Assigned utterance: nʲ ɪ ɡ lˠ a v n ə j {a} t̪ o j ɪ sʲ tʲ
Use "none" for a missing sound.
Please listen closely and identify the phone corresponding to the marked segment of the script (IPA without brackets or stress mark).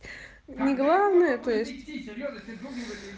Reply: ə